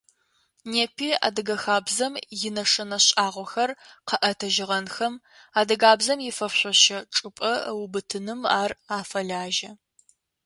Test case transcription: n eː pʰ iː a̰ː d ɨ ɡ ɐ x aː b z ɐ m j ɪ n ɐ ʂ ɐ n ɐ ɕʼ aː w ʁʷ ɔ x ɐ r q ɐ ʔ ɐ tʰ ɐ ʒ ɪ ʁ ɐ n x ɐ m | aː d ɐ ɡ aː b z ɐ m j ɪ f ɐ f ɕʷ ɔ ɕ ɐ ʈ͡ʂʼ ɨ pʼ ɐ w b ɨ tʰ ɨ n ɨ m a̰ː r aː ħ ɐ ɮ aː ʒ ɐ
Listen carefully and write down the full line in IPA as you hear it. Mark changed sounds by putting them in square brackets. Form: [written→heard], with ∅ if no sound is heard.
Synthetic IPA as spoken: n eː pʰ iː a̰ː d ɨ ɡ ɐ x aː b z ɐ m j ɪ n ɐ ʂ ɐ n ɐ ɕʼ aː [w→∅] ʁʷ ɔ x ɐ r q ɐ ʔ ɐ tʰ ɐ ʒ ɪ ʁ ɐ n x ɐ m | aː d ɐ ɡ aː b z ɐ m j ɪ f ɐ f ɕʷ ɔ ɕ ɐ ʈ͡ʂʼ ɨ pʼ ɐ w b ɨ tʰ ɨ n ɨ m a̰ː r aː [ħ→f] ɐ ɮ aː ʒ ɐ